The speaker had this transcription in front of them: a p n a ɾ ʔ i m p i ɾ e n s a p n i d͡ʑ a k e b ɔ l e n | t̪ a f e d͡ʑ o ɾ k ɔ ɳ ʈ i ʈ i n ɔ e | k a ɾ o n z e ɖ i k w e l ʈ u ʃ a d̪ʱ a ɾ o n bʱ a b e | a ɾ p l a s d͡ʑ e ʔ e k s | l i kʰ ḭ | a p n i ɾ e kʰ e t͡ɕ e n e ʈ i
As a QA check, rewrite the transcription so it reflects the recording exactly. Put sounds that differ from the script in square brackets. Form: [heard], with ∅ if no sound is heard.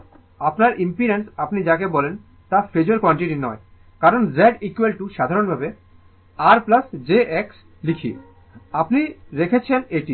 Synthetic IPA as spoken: a p n a ɾ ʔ i m p i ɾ e n s a p n i d͡ʑ a k e b ɔ l e n | t̪ a f e d͡ʑ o ɾ k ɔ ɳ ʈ i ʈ i n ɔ e | k a ɾ o n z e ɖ i k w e l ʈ u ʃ a d̪ʱ a ɾ o n bʱ a b e | a ɾ p l a s d͡ʑ e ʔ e k s | l i kʰ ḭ | a p n i ɾ e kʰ e [t͡ɕʰ] e n e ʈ i